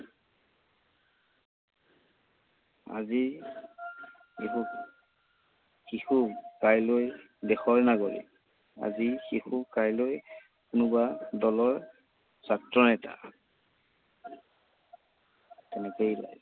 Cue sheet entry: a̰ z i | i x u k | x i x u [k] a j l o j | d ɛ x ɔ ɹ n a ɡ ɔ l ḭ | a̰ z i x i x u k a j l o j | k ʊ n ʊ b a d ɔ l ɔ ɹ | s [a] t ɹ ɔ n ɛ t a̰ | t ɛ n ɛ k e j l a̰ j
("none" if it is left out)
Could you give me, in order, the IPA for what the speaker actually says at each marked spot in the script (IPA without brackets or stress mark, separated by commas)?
k, a